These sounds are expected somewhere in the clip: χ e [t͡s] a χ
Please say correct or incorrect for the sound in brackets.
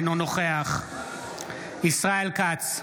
incorrect